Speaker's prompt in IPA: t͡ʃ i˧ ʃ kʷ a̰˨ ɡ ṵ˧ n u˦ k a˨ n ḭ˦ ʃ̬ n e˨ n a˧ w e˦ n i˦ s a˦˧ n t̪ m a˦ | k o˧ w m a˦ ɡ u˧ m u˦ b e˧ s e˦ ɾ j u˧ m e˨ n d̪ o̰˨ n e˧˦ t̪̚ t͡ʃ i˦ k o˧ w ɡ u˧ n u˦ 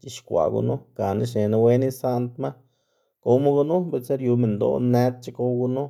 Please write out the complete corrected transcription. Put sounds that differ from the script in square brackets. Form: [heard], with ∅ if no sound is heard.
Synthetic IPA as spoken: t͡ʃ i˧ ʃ kʷ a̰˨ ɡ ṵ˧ n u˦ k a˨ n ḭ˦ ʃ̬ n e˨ n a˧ w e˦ n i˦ s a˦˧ n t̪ m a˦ | k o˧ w m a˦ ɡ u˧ [n] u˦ b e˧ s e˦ ɾ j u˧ m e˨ n d̪ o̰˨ n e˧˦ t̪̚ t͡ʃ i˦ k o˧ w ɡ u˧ n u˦